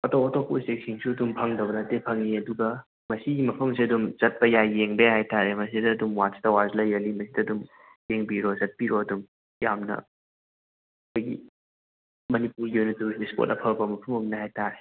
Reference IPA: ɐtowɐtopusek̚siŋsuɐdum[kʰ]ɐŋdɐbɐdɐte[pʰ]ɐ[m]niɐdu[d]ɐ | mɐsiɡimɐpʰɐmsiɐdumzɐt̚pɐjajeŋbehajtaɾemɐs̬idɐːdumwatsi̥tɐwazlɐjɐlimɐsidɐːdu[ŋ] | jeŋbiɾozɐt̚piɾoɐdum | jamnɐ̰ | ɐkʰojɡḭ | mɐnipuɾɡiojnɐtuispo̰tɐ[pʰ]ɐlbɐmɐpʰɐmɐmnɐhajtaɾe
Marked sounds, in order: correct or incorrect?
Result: incorrect, correct, incorrect, incorrect, incorrect, correct

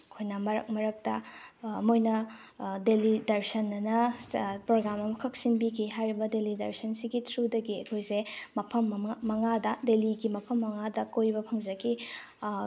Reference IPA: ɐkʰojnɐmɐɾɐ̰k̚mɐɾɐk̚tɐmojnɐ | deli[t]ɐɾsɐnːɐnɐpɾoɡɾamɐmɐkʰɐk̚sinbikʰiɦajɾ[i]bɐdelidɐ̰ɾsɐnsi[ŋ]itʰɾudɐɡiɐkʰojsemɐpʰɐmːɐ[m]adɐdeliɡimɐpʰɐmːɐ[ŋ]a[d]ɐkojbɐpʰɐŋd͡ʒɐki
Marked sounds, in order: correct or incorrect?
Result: incorrect, correct, incorrect, incorrect, correct, correct

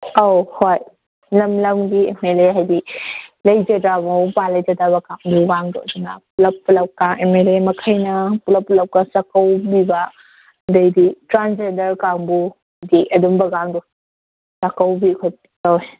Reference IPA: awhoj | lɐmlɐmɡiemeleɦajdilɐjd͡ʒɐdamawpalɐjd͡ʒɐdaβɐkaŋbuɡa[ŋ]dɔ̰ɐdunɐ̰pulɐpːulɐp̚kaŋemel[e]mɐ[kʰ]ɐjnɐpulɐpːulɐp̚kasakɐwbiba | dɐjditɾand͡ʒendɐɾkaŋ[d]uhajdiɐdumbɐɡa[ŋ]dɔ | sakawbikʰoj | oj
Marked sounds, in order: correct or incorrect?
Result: correct, correct, correct, incorrect, correct

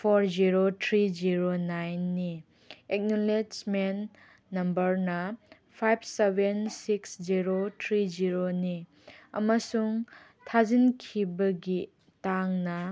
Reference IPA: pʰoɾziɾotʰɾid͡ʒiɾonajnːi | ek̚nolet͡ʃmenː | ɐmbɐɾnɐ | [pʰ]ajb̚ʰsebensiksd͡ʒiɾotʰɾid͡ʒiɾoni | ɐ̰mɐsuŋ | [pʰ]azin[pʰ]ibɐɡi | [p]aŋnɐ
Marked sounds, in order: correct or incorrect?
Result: correct, incorrect, incorrect, incorrect

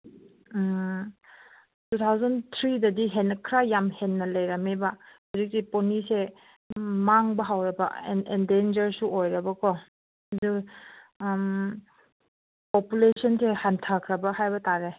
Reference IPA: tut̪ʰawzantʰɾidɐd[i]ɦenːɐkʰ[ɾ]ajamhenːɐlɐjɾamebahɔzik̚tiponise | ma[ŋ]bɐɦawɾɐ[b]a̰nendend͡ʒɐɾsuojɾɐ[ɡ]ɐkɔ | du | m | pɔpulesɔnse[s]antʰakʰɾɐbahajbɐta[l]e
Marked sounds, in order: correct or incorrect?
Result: correct, correct, correct, correct, incorrect, incorrect, incorrect

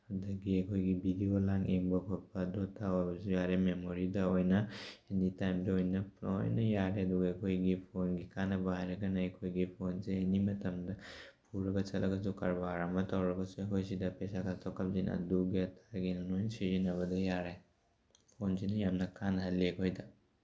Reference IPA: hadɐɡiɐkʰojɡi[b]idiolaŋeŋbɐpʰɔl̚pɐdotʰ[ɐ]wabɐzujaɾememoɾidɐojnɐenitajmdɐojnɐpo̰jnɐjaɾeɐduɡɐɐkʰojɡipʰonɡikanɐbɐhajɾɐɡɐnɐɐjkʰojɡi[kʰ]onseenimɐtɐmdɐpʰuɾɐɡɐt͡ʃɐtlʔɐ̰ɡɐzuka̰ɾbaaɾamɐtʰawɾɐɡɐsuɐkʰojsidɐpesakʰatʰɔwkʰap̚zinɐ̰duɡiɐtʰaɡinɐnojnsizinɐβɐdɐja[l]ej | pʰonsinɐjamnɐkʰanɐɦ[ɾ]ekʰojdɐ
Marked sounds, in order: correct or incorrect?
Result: correct, incorrect, incorrect, incorrect, incorrect

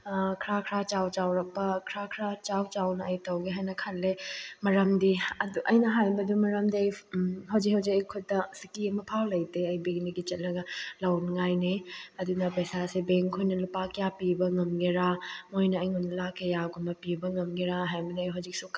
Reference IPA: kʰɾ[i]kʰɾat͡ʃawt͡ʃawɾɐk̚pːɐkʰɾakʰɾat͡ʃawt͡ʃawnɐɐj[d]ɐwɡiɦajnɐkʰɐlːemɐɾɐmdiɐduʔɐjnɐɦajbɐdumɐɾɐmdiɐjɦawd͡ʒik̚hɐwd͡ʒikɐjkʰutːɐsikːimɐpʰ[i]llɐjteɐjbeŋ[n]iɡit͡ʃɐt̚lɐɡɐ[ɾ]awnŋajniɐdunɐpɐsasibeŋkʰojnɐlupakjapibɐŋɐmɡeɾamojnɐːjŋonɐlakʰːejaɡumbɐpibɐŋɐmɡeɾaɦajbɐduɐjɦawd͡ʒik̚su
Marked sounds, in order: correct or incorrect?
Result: incorrect, incorrect, incorrect, correct, incorrect

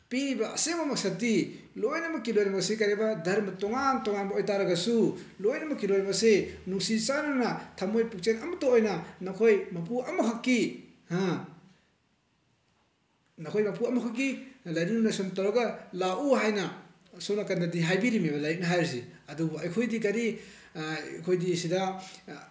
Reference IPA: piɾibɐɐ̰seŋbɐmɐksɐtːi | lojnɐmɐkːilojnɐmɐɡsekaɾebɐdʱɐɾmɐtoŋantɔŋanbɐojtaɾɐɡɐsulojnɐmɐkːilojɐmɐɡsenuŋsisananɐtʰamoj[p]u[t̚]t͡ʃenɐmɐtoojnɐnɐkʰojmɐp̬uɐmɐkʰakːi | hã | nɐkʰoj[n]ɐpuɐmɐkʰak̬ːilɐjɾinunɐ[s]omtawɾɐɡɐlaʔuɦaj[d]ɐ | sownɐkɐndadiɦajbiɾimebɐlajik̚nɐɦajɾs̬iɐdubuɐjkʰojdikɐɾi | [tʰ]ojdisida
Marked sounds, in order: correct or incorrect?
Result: correct, incorrect, incorrect, correct, incorrect, incorrect

